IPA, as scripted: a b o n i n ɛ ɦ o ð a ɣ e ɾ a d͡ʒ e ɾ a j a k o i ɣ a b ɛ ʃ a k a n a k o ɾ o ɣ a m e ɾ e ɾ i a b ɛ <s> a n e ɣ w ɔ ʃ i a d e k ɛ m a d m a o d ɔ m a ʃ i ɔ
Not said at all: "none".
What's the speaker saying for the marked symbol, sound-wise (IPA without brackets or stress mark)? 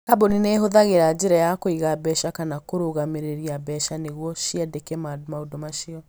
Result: ʃ